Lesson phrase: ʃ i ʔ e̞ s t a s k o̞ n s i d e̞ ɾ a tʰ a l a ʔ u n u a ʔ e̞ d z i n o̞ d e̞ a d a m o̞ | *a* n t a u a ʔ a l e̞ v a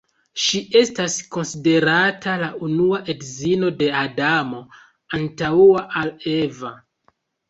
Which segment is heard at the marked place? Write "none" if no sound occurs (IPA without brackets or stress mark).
a